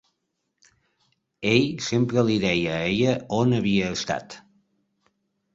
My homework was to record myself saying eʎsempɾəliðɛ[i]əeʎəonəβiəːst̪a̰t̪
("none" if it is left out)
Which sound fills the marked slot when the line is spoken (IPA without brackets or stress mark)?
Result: j